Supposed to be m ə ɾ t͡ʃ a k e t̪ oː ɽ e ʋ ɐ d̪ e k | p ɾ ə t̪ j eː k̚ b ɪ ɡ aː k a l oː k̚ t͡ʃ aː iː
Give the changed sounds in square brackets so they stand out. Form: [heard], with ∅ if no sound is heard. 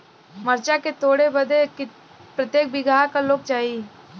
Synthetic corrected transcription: m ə ɾ t͡ʃ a k e t̪ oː ɽ e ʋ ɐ d̪ e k | p ɾ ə t̪ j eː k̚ b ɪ ɡ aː k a l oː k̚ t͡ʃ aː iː